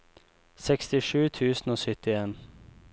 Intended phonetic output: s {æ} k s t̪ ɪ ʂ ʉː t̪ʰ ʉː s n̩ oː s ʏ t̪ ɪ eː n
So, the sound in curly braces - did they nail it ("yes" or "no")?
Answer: no